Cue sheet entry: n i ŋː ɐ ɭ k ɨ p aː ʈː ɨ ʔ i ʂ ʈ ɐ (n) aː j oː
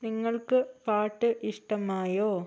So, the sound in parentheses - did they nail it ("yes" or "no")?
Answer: no